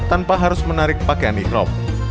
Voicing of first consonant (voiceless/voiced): voiceless